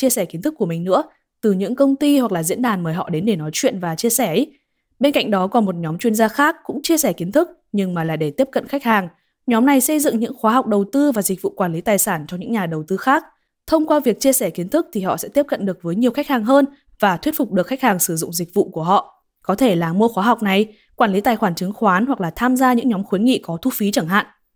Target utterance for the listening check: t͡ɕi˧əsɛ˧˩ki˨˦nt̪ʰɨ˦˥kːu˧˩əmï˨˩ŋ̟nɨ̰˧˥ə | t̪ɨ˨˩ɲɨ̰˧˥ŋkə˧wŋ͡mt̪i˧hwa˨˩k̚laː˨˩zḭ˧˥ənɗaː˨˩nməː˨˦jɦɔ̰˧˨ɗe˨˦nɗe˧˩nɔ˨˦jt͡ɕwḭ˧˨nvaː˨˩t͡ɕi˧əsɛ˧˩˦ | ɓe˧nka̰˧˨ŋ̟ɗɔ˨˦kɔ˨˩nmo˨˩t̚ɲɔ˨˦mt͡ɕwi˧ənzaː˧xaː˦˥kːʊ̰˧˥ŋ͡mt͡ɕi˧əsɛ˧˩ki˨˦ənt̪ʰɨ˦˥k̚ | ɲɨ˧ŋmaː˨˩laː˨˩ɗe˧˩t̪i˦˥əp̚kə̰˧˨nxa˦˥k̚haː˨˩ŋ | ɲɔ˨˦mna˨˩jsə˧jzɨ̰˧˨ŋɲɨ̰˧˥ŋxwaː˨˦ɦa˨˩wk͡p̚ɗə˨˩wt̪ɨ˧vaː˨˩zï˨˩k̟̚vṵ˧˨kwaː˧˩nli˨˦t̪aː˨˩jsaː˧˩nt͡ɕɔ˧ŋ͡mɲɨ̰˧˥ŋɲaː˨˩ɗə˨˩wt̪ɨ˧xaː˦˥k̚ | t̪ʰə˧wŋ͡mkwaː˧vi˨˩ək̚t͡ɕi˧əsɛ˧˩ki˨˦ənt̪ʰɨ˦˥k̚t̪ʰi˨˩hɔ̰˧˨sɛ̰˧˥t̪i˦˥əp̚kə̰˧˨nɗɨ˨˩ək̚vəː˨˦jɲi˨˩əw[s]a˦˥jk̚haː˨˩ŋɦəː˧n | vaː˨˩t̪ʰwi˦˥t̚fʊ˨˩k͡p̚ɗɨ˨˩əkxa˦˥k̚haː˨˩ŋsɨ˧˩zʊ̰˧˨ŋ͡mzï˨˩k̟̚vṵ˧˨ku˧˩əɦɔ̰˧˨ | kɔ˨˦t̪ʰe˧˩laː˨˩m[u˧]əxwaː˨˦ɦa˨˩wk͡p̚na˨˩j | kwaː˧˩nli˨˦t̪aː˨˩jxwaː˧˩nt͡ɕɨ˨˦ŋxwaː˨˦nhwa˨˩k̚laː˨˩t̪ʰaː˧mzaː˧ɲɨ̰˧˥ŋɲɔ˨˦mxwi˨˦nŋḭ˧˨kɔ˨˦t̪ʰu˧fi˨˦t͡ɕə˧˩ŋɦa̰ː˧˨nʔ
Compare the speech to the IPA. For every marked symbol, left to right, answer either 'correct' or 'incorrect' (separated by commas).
incorrect, correct